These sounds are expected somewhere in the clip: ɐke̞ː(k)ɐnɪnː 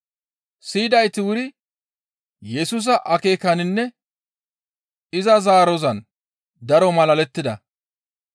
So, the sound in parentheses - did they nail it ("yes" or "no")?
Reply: yes